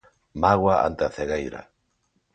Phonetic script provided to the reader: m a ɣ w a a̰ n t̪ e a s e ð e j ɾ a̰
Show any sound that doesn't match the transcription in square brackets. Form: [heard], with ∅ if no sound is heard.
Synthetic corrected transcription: m a ɣ w a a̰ n t̪ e a [θ] e [ɣ] e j ɾ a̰